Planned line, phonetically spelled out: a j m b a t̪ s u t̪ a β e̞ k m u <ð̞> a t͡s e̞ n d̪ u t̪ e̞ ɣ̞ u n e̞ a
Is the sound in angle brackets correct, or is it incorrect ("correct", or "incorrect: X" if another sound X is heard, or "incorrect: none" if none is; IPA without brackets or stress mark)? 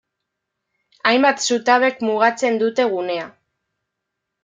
incorrect: ɣ̞